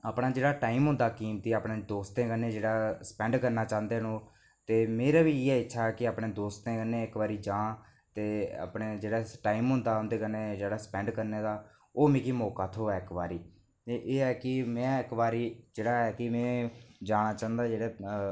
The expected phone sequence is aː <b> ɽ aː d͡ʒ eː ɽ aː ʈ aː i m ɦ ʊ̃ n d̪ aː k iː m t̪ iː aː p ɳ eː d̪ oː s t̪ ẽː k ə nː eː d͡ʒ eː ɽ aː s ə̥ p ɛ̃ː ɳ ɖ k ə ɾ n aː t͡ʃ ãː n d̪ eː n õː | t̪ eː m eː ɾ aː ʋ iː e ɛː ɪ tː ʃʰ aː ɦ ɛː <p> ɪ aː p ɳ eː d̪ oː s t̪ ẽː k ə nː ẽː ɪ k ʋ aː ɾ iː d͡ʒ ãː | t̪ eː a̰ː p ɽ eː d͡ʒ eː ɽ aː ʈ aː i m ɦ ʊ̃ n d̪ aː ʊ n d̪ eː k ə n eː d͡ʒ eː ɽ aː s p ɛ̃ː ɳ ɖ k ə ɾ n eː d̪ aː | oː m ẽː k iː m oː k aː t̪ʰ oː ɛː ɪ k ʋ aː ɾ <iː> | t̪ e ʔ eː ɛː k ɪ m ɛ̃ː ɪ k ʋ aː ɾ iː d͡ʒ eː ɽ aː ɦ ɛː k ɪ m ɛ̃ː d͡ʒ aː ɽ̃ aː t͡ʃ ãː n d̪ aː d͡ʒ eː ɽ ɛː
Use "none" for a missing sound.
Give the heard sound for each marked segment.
p, k, iː

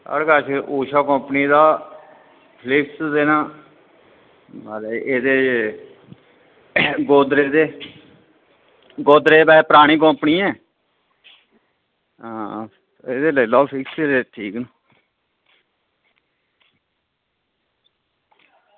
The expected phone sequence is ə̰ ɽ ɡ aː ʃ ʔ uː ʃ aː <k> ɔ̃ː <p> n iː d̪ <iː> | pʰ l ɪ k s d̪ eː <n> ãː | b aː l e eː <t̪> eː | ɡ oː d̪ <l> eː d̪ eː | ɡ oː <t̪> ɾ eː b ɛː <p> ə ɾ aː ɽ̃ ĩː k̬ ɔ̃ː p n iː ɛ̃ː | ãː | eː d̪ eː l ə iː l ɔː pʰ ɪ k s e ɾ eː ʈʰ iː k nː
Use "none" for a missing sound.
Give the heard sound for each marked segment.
k, p, aː, n, d̪, ɾ, d̪, p

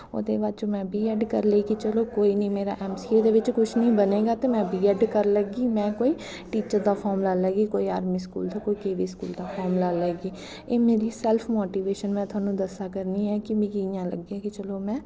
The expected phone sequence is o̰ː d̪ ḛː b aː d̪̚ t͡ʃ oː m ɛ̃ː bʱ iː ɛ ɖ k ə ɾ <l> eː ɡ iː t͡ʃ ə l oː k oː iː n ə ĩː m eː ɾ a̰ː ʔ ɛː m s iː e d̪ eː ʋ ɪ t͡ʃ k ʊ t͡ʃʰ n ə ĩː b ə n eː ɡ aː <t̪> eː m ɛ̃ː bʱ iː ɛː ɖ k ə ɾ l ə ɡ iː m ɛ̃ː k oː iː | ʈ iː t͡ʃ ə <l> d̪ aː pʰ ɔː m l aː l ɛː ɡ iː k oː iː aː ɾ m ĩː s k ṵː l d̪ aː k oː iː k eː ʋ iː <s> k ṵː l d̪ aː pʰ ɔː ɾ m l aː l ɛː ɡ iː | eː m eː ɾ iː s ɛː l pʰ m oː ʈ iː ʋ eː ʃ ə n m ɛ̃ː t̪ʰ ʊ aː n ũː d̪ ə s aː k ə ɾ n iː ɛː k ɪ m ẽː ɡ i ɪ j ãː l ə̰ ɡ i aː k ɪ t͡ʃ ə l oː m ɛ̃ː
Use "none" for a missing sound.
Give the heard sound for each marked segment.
l, t̪, ɾ, s

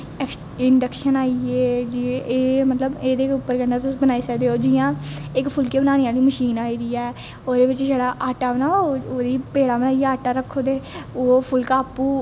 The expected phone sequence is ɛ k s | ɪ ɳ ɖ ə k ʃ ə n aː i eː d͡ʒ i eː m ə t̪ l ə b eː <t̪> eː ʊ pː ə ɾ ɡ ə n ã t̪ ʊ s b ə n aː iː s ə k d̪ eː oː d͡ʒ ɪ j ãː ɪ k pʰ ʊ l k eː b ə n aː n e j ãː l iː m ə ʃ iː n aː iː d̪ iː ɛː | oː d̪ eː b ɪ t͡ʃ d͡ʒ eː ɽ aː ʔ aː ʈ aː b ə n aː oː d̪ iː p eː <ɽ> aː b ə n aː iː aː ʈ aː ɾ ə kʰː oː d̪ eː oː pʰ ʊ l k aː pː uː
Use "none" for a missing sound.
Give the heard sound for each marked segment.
d̪, ɽ

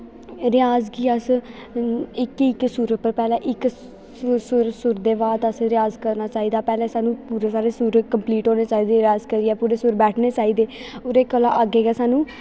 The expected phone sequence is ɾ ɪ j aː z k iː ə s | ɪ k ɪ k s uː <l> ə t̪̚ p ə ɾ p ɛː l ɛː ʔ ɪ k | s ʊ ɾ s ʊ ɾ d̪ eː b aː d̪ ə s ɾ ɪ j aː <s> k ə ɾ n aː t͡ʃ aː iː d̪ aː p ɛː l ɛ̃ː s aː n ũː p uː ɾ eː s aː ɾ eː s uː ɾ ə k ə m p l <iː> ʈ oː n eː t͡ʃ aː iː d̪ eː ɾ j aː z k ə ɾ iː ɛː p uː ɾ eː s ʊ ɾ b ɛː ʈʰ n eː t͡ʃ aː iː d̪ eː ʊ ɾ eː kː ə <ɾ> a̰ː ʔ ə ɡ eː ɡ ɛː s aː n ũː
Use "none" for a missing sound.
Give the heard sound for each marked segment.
ɾ, z, iː, l

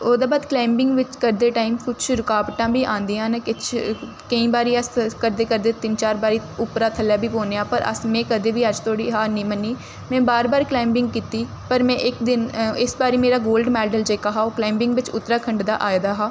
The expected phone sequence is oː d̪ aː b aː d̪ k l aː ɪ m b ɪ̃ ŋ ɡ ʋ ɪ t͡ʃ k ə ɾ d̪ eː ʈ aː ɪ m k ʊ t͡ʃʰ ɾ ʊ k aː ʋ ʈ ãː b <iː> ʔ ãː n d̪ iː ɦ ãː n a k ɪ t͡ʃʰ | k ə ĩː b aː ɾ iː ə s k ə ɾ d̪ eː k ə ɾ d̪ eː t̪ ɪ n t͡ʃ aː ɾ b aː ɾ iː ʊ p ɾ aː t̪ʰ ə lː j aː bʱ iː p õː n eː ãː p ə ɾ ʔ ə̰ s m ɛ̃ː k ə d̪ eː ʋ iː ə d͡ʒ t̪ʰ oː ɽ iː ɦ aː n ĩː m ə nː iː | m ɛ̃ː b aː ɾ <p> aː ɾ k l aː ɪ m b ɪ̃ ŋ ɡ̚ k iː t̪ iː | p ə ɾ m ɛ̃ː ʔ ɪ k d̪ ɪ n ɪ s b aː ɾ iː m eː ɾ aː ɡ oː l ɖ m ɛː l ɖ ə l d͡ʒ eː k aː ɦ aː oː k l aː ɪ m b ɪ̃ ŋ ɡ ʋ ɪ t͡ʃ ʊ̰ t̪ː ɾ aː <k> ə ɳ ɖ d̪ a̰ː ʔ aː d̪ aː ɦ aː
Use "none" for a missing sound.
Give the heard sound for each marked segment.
iː, b, kʰ

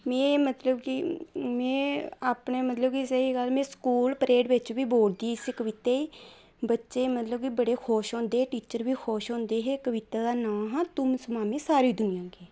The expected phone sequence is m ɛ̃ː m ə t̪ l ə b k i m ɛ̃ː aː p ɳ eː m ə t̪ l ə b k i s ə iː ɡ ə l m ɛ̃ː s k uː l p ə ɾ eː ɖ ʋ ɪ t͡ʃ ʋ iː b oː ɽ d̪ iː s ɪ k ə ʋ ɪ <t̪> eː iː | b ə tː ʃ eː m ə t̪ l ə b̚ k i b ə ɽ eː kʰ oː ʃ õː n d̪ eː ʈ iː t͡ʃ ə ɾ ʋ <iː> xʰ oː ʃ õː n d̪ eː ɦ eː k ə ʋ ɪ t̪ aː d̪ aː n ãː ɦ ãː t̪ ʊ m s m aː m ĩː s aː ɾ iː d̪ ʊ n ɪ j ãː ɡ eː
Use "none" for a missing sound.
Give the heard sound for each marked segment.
t̪, iː

